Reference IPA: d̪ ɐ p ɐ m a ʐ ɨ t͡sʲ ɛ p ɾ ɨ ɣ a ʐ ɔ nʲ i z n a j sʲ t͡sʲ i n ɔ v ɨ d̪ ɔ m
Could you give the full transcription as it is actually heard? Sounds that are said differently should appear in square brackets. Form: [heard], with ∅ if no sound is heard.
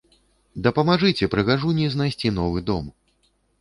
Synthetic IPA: d̪ ɐ p ɐ m a ʐ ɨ t͡sʲ ɛ p ɾ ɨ ɣ a ʐ [u] nʲ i z n a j sʲ t͡sʲ i n ɔ v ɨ d̪ ɔ m